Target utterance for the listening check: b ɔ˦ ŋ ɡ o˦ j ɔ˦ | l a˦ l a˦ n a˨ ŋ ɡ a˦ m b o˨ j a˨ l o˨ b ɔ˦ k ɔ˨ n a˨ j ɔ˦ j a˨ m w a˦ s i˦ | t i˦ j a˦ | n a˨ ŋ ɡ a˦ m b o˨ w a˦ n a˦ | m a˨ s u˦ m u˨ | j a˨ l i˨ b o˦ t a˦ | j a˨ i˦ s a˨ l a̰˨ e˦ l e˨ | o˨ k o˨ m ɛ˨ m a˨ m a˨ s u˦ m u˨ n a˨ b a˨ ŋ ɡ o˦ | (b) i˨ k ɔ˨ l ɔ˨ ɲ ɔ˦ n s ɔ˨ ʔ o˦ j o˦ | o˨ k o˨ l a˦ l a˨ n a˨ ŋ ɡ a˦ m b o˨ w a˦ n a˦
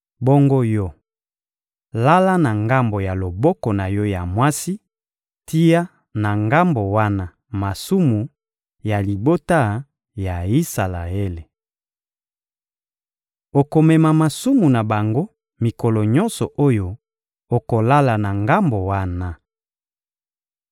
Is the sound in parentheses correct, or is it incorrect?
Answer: incorrect